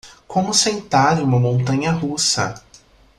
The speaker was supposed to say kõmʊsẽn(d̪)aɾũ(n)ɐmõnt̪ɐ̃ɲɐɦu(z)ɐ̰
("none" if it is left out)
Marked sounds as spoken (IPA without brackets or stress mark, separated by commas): t̪, m, s